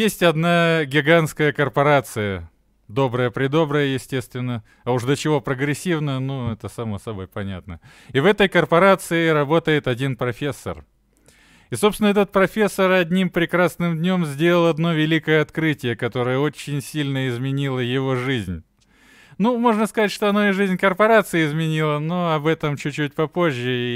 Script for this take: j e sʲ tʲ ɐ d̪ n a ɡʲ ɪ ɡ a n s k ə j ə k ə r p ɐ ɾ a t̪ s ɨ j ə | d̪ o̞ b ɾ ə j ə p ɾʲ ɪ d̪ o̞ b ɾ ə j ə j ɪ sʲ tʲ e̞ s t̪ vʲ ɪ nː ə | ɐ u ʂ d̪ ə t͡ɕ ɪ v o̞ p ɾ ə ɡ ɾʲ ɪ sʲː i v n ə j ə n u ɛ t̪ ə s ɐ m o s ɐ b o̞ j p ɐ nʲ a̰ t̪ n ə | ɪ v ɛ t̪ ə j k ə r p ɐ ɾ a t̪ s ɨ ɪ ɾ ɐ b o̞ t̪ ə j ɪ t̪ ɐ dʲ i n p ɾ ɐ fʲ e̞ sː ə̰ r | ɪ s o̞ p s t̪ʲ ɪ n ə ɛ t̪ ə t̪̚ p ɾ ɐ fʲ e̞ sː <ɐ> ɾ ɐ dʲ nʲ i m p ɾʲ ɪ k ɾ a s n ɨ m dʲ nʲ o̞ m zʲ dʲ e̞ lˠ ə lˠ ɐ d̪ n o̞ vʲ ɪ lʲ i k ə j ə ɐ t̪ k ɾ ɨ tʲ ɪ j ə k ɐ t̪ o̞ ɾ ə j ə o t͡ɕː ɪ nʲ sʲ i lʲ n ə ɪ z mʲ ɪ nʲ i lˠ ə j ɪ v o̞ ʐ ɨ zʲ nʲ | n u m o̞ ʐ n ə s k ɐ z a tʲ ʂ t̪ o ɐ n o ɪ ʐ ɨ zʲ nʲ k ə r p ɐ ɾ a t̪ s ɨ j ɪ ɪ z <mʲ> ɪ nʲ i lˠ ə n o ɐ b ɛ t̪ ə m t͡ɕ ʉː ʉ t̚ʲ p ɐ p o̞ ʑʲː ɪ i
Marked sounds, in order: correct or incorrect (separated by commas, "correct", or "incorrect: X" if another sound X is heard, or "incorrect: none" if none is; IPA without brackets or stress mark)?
incorrect: ə, correct